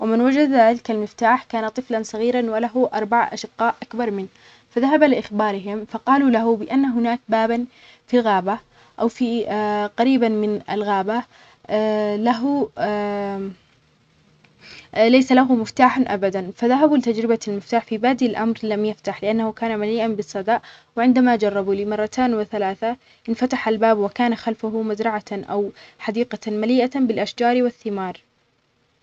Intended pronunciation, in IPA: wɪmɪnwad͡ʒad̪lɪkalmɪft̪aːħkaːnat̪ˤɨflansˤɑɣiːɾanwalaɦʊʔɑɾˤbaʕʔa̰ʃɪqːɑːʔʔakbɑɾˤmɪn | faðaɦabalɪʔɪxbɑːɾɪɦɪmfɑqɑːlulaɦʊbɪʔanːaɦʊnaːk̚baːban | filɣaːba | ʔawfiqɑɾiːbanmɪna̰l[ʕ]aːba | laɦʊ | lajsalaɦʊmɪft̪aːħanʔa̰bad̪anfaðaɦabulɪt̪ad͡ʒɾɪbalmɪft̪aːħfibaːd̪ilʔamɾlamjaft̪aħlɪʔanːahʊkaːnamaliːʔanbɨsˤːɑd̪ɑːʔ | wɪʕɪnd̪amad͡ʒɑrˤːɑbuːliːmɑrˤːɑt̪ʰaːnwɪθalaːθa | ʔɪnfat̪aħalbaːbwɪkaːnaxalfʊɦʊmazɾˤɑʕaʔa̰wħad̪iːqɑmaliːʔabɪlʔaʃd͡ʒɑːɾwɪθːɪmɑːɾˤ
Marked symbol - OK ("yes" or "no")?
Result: no